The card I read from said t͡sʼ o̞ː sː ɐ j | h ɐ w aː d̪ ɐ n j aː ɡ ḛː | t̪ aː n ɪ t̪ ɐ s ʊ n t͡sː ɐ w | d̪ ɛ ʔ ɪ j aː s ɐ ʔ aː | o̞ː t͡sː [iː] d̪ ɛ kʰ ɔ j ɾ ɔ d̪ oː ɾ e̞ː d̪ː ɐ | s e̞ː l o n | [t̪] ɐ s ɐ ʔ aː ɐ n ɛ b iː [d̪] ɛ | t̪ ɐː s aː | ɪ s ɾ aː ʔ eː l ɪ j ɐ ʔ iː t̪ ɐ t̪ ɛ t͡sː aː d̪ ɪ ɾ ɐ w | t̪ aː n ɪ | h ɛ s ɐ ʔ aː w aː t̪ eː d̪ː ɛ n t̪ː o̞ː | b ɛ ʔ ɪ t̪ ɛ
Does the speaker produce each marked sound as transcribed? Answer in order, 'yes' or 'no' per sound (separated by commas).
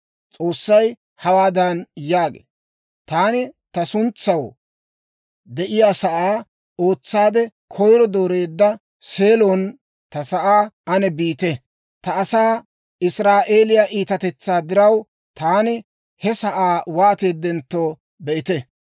no, yes, no